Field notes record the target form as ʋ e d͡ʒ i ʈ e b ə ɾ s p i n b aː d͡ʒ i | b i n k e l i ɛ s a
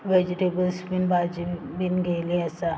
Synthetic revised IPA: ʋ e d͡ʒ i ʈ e b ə l s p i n b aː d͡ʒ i | b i n ɡ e l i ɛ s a